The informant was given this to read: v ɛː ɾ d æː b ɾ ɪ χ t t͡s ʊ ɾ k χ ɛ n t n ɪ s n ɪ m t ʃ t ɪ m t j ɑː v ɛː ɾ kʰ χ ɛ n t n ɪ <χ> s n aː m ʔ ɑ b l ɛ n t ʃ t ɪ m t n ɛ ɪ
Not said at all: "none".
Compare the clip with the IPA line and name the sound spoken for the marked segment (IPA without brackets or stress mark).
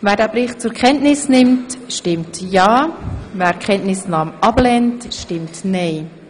none